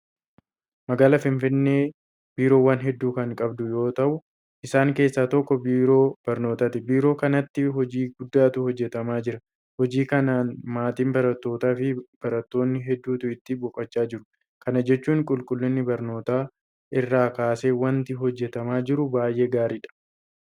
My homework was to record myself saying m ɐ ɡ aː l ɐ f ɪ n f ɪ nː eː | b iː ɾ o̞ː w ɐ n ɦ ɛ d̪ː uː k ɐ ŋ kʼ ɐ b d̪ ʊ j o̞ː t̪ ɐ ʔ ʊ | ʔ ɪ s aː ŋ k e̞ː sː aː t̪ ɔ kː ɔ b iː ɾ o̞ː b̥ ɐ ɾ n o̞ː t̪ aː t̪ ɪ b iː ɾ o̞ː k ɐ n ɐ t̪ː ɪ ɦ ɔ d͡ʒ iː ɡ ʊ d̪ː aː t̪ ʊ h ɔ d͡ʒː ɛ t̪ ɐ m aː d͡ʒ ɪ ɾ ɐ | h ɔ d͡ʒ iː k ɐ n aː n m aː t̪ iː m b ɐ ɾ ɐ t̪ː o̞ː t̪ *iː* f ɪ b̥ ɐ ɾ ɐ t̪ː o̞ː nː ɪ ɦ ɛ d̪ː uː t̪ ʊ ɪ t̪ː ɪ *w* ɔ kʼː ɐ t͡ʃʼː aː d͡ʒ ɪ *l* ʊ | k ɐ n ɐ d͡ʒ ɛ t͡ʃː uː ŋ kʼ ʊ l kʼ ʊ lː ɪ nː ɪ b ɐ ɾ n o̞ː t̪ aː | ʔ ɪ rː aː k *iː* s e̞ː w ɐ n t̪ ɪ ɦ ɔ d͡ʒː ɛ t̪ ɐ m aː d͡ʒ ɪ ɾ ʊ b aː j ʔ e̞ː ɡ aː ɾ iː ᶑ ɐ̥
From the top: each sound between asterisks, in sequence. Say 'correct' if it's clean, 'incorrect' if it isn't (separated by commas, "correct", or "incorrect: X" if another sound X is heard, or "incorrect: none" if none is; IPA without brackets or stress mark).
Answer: incorrect: aː, incorrect: b, incorrect: ɾ, incorrect: aː